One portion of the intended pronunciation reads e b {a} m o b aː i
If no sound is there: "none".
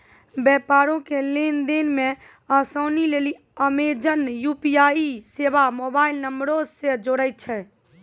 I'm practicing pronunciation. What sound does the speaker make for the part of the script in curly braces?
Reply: a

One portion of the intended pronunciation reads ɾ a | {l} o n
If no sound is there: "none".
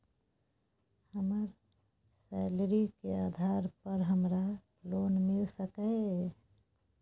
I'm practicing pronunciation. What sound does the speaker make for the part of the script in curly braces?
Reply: l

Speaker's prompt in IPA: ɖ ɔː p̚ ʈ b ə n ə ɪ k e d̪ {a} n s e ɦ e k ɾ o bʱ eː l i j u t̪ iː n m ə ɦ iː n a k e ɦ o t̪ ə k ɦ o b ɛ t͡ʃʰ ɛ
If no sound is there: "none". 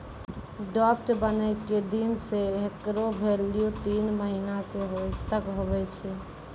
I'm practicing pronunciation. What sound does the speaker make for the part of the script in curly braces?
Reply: i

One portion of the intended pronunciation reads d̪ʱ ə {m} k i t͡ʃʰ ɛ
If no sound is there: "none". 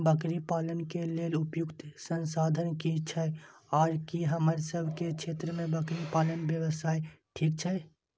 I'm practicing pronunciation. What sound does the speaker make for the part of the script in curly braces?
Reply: n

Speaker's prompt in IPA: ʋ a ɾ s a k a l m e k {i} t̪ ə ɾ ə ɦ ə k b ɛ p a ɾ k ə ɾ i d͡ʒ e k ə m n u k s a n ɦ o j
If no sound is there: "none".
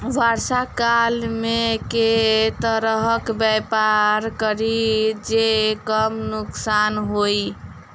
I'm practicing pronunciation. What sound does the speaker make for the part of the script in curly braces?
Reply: e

